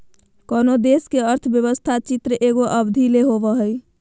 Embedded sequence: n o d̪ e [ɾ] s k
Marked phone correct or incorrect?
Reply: incorrect